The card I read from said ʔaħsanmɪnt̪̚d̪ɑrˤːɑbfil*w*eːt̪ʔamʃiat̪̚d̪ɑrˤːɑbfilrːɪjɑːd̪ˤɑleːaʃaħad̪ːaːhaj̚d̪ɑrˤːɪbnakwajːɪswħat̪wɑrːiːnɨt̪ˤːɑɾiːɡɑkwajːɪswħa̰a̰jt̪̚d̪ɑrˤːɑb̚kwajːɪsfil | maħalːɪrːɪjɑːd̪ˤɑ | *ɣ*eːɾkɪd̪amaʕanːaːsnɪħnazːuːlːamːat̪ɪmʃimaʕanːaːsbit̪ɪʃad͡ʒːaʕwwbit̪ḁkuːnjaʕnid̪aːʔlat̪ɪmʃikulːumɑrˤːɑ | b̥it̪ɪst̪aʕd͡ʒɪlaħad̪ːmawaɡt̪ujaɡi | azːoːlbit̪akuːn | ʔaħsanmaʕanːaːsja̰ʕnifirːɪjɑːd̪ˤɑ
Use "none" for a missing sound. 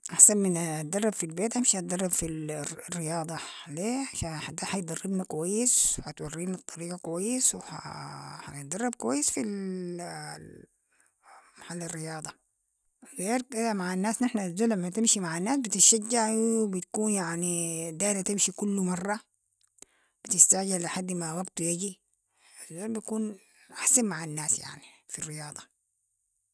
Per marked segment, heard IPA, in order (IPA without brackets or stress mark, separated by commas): b, ɣ